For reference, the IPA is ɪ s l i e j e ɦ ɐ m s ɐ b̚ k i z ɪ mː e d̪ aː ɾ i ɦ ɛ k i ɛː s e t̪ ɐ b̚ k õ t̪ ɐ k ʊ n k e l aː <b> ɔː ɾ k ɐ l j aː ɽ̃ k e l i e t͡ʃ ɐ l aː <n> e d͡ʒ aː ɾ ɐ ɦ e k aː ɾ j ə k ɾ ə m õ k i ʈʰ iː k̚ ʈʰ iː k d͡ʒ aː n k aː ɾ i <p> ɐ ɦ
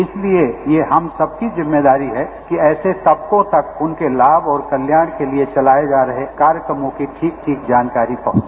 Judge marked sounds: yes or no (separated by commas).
yes, no, yes